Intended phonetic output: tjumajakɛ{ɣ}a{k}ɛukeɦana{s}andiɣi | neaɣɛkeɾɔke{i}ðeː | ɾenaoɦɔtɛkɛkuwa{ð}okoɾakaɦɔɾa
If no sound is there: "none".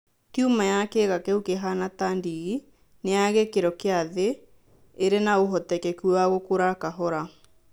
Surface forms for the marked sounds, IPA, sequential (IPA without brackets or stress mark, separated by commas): ɣ, k, t, a, ɣ